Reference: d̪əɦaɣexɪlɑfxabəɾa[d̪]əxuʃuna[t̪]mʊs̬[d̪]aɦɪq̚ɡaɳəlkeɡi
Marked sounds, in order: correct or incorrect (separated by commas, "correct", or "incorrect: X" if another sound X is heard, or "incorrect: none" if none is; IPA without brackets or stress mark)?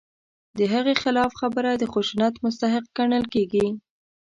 correct, correct, incorrect: t̪